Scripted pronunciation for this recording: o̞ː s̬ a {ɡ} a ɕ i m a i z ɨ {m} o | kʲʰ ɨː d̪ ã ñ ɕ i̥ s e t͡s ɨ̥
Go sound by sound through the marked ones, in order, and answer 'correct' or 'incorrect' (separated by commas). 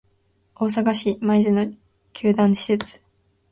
correct, incorrect